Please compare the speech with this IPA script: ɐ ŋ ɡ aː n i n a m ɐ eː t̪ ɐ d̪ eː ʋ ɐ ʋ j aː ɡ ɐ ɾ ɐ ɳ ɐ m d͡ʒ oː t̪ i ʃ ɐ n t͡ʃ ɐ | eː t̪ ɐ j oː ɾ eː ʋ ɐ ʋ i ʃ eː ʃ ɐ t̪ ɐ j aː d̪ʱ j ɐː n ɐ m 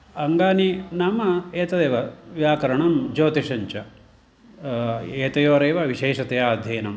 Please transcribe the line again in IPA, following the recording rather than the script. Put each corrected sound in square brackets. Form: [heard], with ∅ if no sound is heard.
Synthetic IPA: ɐ ŋ ɡ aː n i n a m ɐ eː t̪ ɐ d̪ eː ʋ ɐ ʋ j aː [k] ɐ ɾ ɐ ɳ ɐ m d͡ʒ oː t̪ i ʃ ɐ [ɲ] t͡ʃ ɐ | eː t̪ ɐ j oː ɾ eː ʋ ɐ ʋ i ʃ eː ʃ ɐ t̪ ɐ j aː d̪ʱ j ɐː n ɐ m